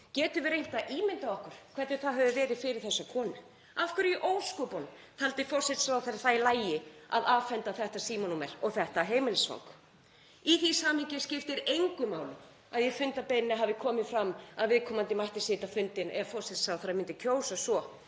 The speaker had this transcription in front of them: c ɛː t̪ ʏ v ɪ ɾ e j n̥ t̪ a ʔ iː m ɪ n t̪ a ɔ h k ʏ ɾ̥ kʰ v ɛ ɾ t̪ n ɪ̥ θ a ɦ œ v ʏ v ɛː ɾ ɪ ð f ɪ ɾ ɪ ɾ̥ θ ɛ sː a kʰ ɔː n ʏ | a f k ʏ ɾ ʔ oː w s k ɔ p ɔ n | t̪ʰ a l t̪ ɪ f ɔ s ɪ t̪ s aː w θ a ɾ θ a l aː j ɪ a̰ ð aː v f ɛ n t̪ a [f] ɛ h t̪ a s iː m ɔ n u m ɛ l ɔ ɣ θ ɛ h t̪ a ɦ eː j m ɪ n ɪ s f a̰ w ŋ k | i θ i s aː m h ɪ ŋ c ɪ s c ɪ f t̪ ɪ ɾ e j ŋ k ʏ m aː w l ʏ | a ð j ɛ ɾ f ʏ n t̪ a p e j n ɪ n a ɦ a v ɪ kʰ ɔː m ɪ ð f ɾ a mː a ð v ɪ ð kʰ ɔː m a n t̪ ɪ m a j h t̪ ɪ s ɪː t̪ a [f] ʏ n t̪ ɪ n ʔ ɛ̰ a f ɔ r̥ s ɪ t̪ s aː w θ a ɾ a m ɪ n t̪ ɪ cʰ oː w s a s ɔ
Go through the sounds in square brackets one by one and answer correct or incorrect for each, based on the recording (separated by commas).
incorrect, correct